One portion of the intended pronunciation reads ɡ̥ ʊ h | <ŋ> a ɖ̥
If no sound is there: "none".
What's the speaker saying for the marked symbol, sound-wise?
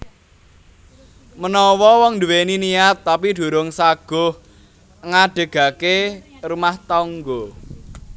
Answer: ŋ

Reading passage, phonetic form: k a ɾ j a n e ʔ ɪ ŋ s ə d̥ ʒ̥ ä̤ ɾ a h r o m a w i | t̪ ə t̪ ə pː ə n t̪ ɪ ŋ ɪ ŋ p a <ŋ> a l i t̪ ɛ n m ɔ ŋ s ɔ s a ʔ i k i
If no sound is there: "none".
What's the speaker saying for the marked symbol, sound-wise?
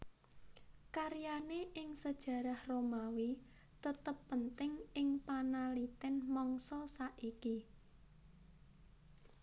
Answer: n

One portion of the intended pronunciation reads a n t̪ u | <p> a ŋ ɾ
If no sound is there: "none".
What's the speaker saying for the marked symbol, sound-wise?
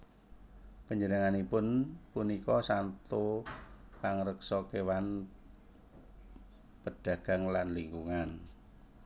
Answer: p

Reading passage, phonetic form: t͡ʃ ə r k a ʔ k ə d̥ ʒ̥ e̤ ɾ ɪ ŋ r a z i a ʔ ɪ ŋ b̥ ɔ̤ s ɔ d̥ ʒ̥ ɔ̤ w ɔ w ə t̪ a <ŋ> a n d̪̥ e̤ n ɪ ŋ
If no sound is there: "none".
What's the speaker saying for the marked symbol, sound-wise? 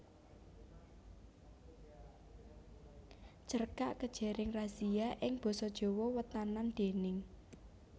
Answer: n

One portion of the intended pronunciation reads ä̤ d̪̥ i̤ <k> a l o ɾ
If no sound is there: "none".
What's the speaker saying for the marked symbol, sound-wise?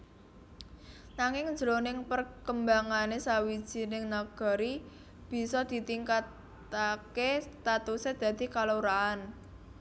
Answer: k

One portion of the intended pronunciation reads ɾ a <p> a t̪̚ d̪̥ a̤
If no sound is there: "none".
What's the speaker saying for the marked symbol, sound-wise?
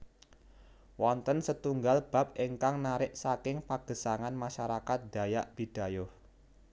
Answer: k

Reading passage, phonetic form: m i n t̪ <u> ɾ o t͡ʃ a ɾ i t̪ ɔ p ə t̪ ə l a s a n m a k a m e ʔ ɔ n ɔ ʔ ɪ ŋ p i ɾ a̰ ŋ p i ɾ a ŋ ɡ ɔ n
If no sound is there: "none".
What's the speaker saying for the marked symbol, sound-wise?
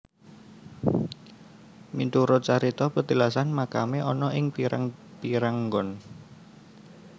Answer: u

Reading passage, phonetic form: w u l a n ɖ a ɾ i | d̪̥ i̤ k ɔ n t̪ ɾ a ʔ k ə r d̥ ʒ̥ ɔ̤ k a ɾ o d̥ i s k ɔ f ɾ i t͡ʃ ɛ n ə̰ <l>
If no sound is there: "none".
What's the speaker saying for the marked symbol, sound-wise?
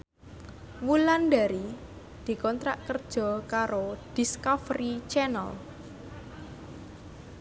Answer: l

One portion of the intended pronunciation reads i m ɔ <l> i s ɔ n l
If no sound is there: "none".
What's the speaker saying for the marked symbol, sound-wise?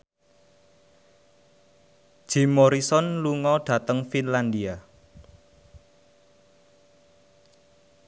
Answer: ɾ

